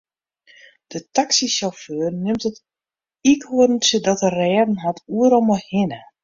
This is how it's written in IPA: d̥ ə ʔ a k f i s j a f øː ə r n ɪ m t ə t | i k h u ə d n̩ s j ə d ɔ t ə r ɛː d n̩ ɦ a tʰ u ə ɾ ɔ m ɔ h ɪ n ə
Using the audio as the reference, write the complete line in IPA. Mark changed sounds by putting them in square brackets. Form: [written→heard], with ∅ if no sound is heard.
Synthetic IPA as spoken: d̥ ə [ʔ→t] a k [f→s] i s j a f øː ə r n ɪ m t ə t | i k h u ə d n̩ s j ə d ɔ t ə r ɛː d n̩ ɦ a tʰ u ə ɾ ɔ m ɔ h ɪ n ə